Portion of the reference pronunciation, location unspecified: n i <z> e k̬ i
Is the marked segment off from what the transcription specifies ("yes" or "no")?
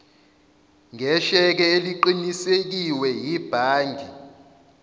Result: yes